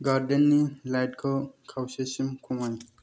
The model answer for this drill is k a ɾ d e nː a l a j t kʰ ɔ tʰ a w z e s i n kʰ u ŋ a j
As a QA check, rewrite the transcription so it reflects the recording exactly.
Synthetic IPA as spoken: ɡ a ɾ d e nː i l a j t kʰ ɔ kʰ a w s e s i m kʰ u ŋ a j